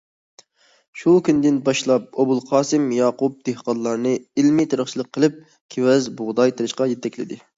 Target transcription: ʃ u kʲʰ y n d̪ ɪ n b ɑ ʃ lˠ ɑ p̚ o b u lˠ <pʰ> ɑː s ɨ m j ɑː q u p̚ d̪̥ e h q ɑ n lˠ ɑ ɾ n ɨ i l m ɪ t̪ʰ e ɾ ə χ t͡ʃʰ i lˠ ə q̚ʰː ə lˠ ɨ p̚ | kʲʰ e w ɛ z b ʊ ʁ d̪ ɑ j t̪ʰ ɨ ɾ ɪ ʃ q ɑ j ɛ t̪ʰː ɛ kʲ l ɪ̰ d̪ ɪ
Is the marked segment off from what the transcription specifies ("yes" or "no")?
yes